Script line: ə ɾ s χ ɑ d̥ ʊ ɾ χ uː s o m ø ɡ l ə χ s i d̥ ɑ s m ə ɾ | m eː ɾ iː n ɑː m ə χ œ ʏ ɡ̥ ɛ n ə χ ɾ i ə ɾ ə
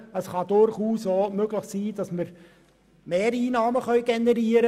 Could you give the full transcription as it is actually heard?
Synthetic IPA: ə s χ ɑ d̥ ʊ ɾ χ uː s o m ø ɡ l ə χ s iː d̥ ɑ s m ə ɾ | m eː ɾ iː n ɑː m ə χ œ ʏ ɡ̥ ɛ n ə ɾ i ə ɾ ə

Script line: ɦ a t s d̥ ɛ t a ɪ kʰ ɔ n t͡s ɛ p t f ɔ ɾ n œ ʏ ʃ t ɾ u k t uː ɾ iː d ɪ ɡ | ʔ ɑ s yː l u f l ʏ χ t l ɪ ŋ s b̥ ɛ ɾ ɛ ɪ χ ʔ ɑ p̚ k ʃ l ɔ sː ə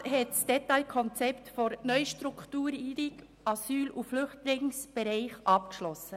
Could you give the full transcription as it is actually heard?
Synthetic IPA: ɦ ɛ t s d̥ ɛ t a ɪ kʰ ɔ n t͡s ɛ p t f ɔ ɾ n œ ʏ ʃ t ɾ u k t uː ɾ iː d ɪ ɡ | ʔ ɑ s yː l u f l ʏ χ t l ɪ ŋ s b̥ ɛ ɾ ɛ ɪ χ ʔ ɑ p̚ k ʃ l ɔ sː ə

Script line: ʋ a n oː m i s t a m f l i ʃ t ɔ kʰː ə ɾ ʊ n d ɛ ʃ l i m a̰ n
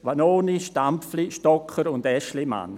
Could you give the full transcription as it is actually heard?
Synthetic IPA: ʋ a n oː n i ʃ t a m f l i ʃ t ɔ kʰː ə ɾ ʊ n d ɛ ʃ l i m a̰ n

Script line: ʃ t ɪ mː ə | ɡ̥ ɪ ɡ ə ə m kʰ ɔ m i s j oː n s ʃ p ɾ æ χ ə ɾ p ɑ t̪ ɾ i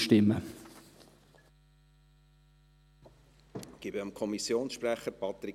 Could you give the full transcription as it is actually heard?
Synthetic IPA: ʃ t ɪ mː ə | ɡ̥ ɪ b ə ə m kʰ ɔ m i s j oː n s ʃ p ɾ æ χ ə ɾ p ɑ t̪ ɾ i

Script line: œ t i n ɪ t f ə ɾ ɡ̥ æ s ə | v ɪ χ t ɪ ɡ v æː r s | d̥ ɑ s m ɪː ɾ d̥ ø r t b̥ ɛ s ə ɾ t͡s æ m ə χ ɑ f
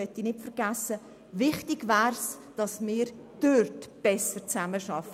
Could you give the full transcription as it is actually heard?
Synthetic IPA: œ t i n ɪ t f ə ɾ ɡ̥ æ s ə | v ɪ χ t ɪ ɡ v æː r s | d̥ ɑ s m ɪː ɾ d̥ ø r t b̥ ɛ s ə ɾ t͡s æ m ə ʃ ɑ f

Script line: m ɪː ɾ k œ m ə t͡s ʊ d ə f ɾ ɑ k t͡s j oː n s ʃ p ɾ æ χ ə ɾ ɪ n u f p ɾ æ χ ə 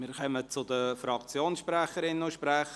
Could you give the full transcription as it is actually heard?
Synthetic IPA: m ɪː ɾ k œ m ə t͡s ʊ d ə f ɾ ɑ k t͡s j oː n s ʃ p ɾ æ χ ə ɾ ɪ n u ʃ p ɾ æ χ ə

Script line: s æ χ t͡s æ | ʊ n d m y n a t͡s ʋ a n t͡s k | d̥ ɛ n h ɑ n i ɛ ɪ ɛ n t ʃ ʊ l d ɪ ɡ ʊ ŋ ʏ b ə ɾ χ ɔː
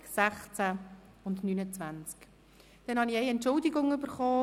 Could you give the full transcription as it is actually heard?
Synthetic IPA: s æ χ t͡s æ | ʊ n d n y n ə t͡s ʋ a n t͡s k | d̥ ɛ n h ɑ n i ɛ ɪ ɛ n t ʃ ʊ l d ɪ ɡ ʊ ŋ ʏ b ə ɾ χ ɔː

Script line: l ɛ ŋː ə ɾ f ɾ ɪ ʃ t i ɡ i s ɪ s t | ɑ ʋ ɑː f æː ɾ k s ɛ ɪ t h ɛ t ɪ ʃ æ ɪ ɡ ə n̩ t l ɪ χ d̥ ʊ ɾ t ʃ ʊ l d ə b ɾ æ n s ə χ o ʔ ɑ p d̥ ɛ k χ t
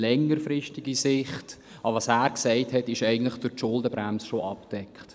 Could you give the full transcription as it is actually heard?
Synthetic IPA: l ɛ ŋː ə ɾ f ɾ ɪ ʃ t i ɡ i s ɪ χ t | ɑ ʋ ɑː s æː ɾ k s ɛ ɪ t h ɛ t ɪ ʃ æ ɪ ɡ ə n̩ t l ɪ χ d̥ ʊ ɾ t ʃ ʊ l d ə b ɾ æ m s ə ʃ o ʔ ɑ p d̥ ɛ k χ t

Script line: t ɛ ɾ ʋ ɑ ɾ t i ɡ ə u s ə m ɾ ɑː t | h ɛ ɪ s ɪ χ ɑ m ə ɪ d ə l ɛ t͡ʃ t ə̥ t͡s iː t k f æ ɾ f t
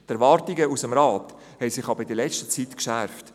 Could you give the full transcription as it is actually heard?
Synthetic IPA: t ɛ ɾ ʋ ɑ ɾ t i ɡ ə u s ə m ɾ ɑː t | h ɛ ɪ s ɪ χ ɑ b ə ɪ d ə l ɛ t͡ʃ t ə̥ t͡s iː t k ʃ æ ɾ f t

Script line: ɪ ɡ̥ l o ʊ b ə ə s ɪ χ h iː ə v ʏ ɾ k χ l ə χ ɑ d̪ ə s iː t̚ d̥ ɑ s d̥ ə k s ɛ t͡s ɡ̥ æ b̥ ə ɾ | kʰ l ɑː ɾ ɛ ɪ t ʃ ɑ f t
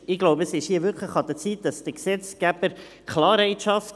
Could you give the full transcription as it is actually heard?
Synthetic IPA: ɪ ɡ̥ l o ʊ b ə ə s ɪ ʃ h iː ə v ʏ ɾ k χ l ə χ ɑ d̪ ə t͡s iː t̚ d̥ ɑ s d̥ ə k s ɛ t͡s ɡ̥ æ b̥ ə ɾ | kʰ l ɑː ɾ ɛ ɪ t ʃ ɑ f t

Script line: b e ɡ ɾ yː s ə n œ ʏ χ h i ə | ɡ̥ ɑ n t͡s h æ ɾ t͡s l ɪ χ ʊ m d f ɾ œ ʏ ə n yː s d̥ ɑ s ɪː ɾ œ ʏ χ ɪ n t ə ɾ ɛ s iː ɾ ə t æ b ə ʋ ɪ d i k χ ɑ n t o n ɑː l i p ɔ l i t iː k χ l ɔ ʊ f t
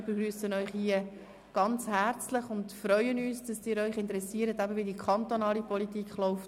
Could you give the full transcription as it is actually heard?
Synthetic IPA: b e ɡ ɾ yː s ə n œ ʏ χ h i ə | ɡ̥ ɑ n t͡s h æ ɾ t͡s l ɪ χ ʊ n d f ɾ œ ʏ ə n yː s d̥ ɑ s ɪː ɾ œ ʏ χ ɪ n t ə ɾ ɛ s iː ɾ ə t æ b ə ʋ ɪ d i k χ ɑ n t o n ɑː l i p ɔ l i t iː k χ l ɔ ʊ f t

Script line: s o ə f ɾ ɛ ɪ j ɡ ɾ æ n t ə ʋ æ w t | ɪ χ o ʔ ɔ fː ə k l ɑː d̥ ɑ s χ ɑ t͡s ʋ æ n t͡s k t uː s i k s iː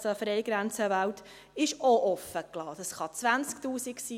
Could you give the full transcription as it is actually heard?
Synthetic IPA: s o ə f ɾ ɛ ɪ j ɡ ɾ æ n t͡s ə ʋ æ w t | ɪ ʃ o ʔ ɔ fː ə k l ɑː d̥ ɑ s χ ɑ t͡s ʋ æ n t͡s k t uː s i k s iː

